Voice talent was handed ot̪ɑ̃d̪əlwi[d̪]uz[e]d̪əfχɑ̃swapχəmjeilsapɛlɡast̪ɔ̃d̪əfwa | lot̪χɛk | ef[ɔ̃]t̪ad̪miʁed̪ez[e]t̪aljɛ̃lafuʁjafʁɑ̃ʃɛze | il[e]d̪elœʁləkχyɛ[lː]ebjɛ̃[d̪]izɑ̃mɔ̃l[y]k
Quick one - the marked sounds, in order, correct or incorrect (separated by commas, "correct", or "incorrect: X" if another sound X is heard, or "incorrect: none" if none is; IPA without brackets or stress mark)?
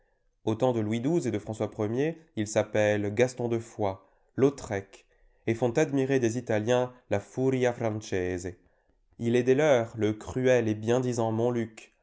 correct, correct, correct, incorrect: i, incorrect: ɛ, incorrect: l, correct, correct